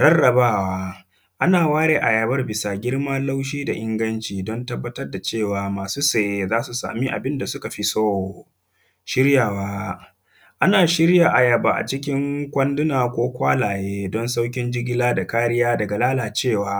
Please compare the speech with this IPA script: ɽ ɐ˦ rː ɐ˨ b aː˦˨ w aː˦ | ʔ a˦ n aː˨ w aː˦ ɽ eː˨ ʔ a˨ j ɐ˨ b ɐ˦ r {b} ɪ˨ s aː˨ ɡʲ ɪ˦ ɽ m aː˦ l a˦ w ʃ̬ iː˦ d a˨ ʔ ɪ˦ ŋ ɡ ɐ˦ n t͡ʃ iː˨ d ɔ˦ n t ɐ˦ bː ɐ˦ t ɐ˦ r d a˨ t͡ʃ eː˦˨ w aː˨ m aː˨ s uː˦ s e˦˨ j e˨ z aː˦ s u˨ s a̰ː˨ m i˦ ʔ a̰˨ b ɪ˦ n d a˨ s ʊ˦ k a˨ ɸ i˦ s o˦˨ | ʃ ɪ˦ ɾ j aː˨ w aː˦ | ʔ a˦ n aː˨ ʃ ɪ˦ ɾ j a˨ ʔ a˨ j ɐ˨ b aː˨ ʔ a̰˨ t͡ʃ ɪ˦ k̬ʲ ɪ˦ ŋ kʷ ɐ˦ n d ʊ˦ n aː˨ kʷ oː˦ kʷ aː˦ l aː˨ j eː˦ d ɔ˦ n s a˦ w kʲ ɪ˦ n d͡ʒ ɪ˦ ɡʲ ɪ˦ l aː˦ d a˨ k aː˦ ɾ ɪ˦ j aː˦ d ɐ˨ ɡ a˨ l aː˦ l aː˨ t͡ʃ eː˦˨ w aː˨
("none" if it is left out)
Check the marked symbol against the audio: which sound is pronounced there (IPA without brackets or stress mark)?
b